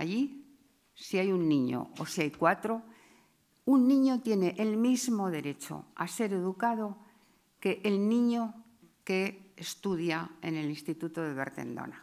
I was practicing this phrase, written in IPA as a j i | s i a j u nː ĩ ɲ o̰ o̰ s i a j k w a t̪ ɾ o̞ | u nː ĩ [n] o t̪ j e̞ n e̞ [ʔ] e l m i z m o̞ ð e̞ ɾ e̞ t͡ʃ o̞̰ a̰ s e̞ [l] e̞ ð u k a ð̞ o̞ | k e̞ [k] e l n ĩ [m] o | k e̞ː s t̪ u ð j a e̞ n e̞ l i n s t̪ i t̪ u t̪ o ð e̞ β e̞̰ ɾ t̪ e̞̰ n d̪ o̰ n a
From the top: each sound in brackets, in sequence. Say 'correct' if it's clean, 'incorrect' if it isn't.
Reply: incorrect: ɲ, correct, incorrect: ɾ, incorrect: ʔ, incorrect: ɲ

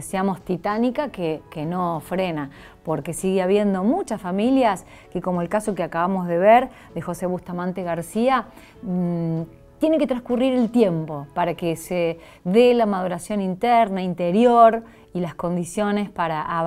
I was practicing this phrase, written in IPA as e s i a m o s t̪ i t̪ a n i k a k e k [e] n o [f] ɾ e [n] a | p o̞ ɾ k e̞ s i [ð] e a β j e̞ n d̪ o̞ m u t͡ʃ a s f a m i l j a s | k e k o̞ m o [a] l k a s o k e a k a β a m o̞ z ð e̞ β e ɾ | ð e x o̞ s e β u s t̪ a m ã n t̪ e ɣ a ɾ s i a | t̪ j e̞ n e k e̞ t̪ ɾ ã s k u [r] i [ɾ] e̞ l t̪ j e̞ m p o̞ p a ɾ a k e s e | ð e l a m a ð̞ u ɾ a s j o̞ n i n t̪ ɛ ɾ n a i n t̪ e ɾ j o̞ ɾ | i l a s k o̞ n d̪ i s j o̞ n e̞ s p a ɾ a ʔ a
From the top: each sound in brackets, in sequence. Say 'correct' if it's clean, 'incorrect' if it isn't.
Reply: correct, correct, correct, incorrect: ɣ, incorrect: e, correct, correct

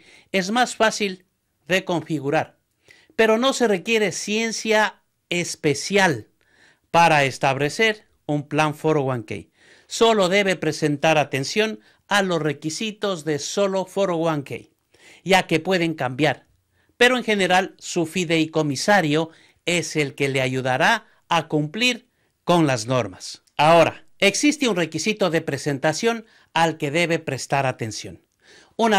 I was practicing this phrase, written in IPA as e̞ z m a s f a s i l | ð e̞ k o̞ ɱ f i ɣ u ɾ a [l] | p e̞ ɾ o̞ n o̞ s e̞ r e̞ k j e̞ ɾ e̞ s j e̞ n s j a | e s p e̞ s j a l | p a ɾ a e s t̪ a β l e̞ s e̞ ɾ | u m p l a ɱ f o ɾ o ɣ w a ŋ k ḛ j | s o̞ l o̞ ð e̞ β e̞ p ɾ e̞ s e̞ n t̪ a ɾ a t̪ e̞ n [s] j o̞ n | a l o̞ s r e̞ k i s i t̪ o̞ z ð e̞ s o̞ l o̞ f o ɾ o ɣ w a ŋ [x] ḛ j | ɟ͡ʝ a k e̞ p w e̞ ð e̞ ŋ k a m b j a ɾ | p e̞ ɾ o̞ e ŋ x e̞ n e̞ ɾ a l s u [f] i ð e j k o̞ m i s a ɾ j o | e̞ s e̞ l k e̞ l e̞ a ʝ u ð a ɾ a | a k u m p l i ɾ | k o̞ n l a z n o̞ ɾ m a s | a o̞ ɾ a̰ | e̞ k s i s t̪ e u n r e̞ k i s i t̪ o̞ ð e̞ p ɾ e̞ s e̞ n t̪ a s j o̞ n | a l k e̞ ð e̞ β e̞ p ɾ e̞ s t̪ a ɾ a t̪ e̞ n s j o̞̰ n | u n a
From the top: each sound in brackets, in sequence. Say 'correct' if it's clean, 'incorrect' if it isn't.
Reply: incorrect: ɾ, correct, incorrect: k, correct

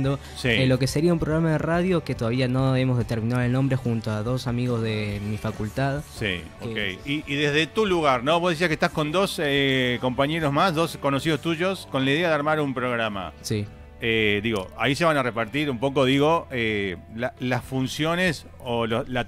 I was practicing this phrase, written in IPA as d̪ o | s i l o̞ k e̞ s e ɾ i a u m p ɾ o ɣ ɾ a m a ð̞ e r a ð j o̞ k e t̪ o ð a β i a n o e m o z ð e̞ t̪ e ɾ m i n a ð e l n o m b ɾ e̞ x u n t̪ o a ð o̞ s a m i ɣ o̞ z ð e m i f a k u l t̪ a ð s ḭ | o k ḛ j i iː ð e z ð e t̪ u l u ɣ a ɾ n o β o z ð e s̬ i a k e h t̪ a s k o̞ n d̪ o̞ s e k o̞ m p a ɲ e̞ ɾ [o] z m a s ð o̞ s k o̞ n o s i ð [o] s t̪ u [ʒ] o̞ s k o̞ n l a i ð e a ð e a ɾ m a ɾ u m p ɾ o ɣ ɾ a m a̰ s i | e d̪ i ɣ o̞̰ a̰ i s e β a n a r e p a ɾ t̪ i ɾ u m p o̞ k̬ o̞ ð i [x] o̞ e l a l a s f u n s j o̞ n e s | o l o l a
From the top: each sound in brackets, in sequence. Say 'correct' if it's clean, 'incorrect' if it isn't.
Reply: correct, correct, correct, incorrect: ɣ

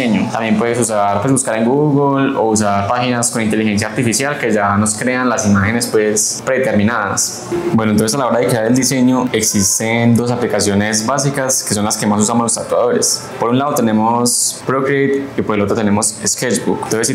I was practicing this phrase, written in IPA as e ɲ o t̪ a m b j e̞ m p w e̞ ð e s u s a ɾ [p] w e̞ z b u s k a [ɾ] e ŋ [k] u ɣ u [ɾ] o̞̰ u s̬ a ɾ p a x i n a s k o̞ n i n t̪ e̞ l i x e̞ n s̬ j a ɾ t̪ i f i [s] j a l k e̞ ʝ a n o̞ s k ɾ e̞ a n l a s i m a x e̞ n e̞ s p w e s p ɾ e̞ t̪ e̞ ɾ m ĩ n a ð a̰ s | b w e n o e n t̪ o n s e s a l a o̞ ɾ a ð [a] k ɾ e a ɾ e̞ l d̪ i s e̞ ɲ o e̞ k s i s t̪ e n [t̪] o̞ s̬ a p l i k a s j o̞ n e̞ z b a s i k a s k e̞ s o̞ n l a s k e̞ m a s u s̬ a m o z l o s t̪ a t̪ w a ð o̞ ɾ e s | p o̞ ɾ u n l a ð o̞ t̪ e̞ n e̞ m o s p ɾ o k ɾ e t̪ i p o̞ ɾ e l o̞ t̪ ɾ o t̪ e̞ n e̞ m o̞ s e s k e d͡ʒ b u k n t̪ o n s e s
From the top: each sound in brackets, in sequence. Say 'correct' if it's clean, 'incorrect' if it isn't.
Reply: correct, correct, incorrect: ɡ, incorrect: l, correct, incorrect: e, incorrect: d̪

